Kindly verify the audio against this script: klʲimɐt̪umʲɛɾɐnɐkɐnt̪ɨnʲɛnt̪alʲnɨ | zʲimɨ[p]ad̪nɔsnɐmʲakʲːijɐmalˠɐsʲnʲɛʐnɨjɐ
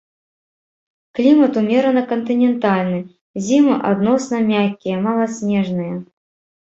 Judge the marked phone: incorrect: ʔ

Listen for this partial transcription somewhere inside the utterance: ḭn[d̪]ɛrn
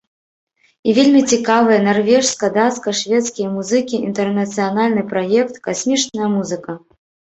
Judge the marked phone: incorrect: t̪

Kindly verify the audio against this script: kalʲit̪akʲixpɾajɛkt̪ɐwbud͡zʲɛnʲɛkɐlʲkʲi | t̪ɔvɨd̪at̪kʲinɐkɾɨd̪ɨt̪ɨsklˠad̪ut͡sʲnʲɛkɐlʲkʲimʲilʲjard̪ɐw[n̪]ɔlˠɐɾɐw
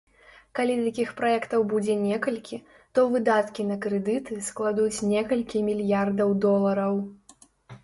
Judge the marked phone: incorrect: d̪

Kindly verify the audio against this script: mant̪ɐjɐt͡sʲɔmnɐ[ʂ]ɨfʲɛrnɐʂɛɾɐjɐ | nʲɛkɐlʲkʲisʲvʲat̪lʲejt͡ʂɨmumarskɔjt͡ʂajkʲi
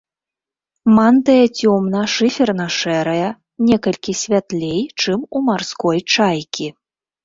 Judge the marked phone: correct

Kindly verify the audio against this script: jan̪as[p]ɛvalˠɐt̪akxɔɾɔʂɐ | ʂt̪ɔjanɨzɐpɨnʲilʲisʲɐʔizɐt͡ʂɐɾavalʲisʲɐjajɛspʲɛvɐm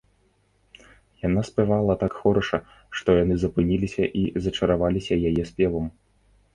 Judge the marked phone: correct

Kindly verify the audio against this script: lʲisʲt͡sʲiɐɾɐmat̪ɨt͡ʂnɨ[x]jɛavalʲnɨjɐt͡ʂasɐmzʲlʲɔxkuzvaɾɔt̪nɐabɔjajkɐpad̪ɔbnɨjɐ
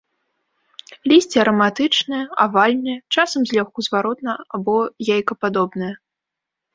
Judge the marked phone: incorrect: none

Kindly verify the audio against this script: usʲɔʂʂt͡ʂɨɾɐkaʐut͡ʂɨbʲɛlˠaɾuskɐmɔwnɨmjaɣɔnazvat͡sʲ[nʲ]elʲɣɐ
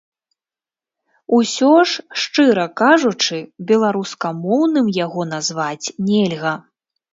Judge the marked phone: correct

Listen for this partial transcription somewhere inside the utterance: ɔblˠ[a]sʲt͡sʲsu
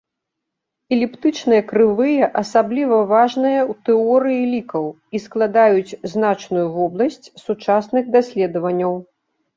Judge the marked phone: incorrect: ɐ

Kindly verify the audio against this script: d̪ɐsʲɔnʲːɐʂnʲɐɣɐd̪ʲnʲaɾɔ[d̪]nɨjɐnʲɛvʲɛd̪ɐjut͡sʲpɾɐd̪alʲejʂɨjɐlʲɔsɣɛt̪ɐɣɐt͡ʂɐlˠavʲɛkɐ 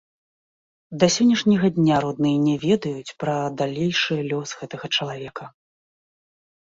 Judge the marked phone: correct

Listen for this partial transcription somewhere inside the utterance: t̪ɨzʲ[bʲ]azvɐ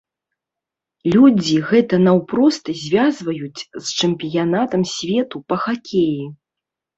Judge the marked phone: incorrect: vʲ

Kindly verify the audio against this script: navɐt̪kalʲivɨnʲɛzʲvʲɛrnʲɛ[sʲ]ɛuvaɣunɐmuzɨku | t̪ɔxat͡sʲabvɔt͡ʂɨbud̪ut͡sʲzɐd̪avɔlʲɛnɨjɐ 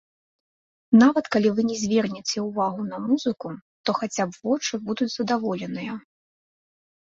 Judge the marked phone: incorrect: t͡sʲ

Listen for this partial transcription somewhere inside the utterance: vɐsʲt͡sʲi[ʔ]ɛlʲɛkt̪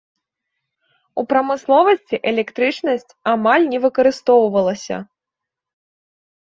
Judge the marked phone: correct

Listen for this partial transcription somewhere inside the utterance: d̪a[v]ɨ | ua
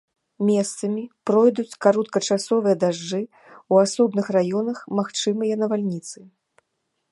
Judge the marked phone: incorrect: ʐ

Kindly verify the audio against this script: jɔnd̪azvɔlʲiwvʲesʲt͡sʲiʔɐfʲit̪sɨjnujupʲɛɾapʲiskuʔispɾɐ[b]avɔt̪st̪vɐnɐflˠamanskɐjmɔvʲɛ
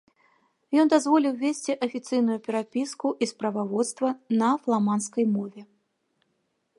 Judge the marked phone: incorrect: v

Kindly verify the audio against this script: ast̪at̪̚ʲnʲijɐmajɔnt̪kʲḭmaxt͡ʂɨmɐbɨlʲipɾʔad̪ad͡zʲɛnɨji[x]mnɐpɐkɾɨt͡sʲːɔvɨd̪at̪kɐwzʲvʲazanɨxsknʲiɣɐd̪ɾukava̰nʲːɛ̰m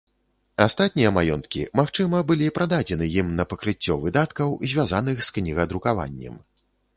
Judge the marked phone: incorrect: none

